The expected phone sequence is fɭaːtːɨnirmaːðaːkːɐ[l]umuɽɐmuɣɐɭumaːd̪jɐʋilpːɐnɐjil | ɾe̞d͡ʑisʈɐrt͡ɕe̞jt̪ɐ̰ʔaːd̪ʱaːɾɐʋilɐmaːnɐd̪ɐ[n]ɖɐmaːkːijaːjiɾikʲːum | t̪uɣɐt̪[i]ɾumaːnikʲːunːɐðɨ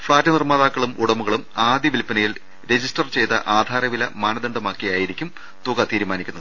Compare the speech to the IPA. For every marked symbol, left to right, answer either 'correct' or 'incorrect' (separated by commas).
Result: incorrect, incorrect, incorrect